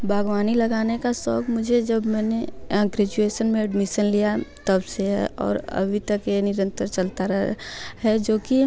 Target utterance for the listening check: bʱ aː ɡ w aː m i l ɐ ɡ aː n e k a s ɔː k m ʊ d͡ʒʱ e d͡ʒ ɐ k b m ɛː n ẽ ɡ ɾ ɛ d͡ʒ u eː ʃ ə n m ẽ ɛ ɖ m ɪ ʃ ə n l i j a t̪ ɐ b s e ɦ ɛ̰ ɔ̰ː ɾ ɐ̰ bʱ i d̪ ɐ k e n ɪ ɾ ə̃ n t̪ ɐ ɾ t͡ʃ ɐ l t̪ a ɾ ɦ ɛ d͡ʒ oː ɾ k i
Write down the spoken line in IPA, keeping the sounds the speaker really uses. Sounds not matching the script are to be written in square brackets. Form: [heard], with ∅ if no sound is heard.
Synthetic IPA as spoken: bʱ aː ɡ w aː [n] i l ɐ ɡ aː n e k a s ɔː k m ʊ d͡ʒʱ e d͡ʒ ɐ [∅] b m ɛː n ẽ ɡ ɾ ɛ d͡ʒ u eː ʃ ə n m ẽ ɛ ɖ m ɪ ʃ ə n l i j a t̪ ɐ b s e ɦ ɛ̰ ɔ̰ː ɾ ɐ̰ bʱ i [t̪] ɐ k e n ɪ ɾ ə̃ n t̪ [ə] ɾ t͡ʃ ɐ l t̪ a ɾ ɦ ɛ d͡ʒ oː [∅] k i